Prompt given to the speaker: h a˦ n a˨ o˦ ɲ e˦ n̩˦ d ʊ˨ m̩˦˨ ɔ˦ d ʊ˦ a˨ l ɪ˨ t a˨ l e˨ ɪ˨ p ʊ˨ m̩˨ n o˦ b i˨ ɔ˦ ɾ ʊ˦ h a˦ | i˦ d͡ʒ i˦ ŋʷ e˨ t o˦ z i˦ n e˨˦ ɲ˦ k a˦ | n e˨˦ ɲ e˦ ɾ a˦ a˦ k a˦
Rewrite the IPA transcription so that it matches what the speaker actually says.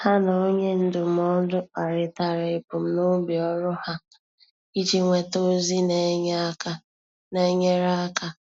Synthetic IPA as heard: h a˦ n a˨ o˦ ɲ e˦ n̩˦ d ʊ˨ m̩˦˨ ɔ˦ d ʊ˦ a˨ ɾ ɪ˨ t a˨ ɾ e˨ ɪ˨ p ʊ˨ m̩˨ n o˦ b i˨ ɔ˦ ɾ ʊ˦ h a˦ | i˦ d͡ʒ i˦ ŋʷ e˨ t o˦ z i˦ n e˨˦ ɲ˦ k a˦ | n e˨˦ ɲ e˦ ɾ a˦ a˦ k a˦

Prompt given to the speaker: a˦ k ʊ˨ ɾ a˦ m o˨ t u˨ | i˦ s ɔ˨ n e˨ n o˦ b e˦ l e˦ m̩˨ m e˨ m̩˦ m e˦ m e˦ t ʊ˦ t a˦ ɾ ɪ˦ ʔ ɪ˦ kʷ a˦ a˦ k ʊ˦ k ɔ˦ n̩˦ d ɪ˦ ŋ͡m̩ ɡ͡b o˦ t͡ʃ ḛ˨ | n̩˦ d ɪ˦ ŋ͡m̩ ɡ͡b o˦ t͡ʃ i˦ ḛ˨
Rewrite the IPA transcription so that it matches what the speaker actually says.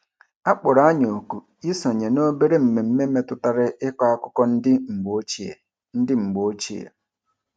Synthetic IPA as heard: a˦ k͡p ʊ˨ ɾ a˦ ɲ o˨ k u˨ | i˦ s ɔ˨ ɲ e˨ n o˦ b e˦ ɾ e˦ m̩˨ m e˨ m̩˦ m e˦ m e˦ t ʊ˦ t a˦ ɾ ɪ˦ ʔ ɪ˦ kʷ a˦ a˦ k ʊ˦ k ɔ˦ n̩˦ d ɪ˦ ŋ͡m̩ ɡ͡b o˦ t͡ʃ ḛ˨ | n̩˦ d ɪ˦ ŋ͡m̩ ɡ͡b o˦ t͡ʃ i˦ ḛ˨

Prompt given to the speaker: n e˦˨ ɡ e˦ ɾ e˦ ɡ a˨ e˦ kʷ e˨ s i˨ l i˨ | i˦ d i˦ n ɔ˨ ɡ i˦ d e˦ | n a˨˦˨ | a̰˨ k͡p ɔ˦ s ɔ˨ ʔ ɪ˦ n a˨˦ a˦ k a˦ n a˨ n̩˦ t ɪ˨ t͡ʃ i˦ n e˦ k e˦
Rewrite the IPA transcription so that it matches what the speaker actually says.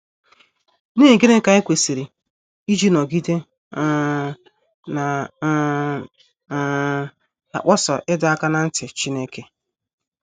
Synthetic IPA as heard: n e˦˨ ɡ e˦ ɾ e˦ k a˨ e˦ kʷ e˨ s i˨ ɾ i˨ | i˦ d͡ʒ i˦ n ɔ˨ ɡ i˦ d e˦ | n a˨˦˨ | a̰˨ k͡p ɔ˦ s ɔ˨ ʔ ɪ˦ d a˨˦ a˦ k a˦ n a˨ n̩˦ t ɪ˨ t͡ʃ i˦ n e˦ k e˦

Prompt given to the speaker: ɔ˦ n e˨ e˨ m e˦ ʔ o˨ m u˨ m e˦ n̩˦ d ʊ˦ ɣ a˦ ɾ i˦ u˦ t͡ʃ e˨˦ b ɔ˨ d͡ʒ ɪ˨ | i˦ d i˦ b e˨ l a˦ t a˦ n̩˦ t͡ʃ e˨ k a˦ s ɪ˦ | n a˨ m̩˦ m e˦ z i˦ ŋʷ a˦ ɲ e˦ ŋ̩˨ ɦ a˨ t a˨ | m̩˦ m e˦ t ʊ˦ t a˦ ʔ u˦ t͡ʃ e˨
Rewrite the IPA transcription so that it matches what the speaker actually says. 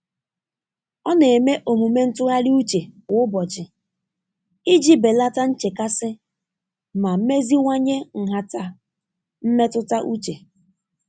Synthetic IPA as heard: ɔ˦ n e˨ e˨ m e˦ ʔ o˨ m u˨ m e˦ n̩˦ t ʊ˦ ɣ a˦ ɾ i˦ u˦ t͡ʃ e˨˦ b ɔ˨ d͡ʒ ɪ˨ | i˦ d͡ʒ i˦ b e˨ l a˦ t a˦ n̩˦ t͡ʃ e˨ k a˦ s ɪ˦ | m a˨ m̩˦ m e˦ z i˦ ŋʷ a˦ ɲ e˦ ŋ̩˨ ɦ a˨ t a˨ | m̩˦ m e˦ t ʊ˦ t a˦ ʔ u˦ t͡ʃ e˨

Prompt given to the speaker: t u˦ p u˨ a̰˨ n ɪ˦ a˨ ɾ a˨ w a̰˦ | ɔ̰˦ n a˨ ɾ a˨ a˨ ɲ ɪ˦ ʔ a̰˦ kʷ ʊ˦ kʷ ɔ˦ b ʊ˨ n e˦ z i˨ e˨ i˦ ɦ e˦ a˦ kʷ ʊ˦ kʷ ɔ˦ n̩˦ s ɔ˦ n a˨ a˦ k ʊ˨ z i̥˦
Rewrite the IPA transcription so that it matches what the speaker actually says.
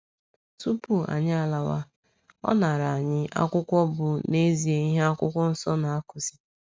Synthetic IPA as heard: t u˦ p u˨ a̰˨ ɲ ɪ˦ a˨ l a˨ w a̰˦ | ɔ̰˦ n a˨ ɾ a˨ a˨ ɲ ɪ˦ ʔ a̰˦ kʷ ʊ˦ kʷ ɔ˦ b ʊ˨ n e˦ z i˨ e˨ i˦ ɦ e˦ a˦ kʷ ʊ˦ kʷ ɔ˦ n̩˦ s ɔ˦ n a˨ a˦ k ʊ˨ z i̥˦

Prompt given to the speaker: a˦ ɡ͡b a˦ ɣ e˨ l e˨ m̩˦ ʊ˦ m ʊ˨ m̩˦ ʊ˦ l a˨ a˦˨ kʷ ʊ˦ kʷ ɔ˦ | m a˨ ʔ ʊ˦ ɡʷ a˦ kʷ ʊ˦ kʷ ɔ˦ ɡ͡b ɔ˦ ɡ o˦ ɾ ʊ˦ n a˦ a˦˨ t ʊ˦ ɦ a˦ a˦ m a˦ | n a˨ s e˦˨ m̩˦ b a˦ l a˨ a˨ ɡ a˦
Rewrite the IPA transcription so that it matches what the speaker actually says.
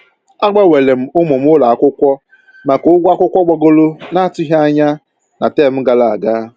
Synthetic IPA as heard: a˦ ɡ͡b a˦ w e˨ l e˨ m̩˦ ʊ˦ m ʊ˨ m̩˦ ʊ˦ l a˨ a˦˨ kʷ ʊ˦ kʷ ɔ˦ | m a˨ k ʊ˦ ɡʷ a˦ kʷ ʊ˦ kʷ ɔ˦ ɡ͡b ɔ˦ ɡ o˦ l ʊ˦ n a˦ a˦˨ t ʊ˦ ɦ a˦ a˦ ɲ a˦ | n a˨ t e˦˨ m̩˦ ɡ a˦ l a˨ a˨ ɡ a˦

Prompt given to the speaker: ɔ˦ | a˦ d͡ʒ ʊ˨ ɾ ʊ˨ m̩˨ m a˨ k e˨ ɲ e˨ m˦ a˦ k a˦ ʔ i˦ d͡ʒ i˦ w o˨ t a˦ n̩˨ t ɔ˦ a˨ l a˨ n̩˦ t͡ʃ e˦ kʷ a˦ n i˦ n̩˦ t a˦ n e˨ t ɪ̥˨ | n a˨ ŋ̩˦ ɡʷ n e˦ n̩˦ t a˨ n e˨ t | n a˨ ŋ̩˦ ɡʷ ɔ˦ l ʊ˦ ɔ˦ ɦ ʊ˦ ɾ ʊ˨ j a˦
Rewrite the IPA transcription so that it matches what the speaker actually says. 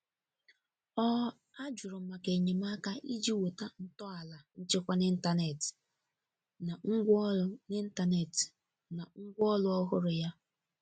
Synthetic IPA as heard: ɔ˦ | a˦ d͡ʒ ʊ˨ ɾ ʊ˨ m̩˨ m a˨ k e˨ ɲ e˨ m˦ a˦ k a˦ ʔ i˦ d͡ʒ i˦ w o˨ t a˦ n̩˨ t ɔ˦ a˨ l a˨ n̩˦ t͡ʃ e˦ kʷ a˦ n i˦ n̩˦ t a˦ n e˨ t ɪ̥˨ | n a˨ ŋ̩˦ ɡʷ n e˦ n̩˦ t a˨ n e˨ t | n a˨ ŋ̩˦ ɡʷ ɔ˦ l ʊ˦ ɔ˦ ɦ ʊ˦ ɾ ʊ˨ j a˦

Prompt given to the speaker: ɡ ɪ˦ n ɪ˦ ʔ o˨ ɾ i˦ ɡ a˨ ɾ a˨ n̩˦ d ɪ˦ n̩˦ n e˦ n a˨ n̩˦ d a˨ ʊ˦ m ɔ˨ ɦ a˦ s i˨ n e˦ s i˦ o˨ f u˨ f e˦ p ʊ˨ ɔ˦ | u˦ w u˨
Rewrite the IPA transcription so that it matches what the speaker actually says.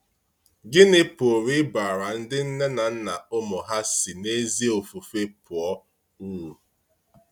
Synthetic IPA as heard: ɡ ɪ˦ n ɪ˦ p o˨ ɾ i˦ b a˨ ɾ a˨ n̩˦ d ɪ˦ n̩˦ n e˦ n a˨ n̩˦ n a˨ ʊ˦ m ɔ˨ ɦ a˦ s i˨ n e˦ z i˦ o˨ f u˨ f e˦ p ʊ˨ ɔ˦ | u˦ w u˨

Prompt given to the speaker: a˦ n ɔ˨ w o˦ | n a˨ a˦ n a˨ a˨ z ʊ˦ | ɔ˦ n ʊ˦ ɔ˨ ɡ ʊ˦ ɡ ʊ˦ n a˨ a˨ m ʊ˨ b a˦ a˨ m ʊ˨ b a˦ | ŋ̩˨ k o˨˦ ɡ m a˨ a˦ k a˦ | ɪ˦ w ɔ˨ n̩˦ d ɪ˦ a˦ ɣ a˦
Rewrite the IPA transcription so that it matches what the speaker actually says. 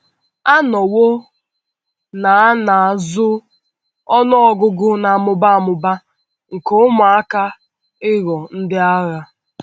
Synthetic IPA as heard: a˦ n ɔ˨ w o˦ | n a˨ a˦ n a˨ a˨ z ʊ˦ | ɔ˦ n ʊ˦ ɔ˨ ɡ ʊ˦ ɡ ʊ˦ n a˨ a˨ m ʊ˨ b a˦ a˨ m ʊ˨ b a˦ | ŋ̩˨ k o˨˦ m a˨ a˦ k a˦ | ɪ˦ ɣ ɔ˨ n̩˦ d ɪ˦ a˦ ɣ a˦

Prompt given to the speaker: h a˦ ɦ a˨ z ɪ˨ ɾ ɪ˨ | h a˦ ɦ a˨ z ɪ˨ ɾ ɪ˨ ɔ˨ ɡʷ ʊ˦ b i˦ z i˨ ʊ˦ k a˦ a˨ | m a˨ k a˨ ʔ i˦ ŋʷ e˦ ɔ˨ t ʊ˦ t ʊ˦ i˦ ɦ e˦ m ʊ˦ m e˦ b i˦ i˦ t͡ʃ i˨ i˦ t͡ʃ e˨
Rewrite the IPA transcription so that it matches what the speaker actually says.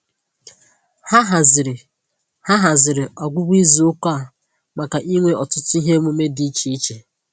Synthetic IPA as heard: h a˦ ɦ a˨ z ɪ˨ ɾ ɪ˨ | h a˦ ɦ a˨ z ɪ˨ ɾ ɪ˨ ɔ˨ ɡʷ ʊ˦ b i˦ z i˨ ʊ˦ k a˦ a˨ | m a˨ k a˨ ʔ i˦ ŋʷ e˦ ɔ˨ t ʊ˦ t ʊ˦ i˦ ɦ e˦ m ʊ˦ m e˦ d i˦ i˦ t͡ʃ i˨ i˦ t͡ʃ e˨

